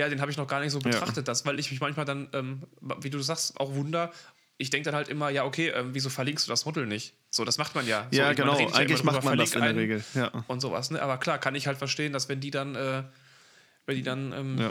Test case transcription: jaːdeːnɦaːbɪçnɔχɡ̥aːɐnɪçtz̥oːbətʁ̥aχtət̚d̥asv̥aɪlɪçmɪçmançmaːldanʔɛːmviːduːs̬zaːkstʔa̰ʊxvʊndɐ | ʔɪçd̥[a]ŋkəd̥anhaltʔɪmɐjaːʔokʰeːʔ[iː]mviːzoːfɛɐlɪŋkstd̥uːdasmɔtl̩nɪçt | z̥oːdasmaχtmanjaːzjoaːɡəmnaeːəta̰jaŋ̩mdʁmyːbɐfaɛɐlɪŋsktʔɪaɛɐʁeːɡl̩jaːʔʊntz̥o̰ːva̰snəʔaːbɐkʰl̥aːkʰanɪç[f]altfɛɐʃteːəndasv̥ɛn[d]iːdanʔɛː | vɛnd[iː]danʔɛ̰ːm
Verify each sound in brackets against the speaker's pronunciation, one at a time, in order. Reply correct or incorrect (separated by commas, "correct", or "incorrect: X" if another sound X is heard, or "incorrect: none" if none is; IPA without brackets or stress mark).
incorrect: ɛ, incorrect: ɛː, incorrect: h, correct, correct